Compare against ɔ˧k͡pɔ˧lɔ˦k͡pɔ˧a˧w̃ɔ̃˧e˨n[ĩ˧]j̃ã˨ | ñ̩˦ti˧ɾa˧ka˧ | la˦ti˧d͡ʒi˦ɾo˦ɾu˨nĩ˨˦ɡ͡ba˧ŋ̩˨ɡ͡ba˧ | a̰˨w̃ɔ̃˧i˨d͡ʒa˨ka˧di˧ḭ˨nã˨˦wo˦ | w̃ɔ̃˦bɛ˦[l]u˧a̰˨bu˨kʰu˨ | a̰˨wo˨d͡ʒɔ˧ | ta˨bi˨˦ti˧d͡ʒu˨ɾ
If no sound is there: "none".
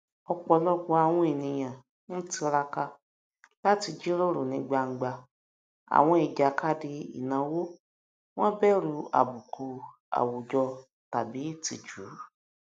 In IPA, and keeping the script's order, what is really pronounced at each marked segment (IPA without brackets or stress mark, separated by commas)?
ĩ˧, ɾ